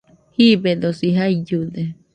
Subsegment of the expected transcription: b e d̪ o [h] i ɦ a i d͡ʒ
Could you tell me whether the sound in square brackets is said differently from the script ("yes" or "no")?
yes